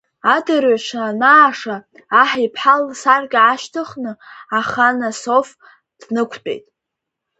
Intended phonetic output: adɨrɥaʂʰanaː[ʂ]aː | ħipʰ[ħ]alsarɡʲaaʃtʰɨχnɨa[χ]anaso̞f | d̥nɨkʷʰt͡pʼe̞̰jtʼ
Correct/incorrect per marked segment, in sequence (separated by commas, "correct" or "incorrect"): correct, correct, correct